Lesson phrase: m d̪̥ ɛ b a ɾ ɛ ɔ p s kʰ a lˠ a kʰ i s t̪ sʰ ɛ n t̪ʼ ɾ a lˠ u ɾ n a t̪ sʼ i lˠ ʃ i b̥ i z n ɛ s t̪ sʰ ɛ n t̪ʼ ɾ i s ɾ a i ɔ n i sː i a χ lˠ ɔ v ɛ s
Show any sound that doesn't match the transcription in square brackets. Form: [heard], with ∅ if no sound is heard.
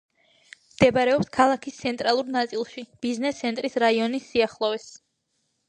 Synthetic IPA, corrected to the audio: m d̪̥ ɛ b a ɾ ɛ ɔ p s kʰ a lˠ a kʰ i s t̪ sʰ ɛ n t̪ʼ ɾ a lˠ u ɾ n a t̪ sʼ i lˠ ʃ i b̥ i z n ɛ s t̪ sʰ ɛ n t̪ʼ ɾ i s ɾ a i ɔ n i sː i a χ lˠ ɔ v ɛ s